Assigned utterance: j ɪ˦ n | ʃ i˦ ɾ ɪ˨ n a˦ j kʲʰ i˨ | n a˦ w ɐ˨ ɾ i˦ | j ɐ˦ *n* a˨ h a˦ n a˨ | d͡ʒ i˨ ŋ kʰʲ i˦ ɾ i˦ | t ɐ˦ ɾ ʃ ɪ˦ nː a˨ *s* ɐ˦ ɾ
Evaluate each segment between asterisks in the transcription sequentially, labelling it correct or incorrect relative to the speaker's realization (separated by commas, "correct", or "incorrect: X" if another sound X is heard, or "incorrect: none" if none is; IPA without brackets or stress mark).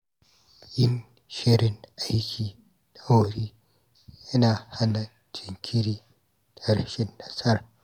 correct, correct